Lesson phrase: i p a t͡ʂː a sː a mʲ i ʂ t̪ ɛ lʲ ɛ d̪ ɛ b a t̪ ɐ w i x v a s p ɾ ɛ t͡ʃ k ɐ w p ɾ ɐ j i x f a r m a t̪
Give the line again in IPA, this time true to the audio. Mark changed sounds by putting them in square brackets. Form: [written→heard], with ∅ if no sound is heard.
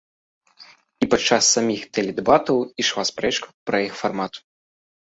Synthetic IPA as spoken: i p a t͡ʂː a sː a mʲ i [ʂ→x] t̪ ɛ lʲ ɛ d̪ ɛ b a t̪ ɐ w i [x→ʂ] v a s p ɾ ɛ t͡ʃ k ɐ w p ɾ ɐ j i x f a r m a t̪